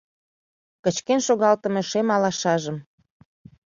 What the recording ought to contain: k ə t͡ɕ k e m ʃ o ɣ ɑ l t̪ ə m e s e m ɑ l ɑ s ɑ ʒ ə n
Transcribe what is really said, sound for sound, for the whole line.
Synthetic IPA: k ə t͡ɕ k e n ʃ o ɣ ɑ l t̪ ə m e ʃ e m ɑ l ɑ ʃ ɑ ʒ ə m